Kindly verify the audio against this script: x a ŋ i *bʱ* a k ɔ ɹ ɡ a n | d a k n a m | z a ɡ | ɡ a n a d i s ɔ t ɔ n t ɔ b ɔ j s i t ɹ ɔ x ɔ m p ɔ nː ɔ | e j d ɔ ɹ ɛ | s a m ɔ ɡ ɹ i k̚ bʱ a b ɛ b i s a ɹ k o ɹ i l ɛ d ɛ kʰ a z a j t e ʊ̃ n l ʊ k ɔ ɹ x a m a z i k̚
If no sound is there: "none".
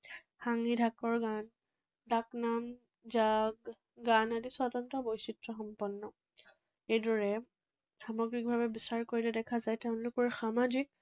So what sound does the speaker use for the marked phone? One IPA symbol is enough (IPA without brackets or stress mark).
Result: dʱ